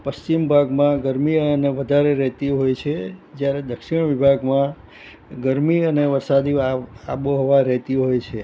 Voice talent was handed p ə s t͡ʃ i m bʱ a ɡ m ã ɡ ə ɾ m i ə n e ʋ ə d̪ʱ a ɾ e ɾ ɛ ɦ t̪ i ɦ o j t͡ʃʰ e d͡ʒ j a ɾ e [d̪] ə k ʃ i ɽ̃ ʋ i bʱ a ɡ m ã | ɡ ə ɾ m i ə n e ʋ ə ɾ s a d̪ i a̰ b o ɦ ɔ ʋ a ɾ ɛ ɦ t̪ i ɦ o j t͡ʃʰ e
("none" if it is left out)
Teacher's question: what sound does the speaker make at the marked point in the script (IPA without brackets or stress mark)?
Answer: d̪